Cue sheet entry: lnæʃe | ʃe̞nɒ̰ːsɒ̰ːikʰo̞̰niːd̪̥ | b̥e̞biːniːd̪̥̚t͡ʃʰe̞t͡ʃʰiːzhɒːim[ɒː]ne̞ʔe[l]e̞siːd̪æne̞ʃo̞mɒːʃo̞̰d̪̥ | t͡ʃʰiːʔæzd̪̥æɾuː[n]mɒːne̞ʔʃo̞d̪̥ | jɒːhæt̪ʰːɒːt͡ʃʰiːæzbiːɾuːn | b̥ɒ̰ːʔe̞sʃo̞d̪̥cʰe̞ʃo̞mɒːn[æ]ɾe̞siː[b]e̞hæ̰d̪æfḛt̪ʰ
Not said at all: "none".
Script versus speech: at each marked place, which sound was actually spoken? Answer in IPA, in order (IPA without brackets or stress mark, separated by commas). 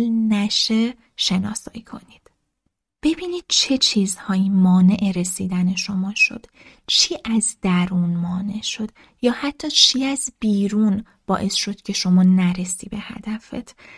ɒː, ɾ, n, æ, b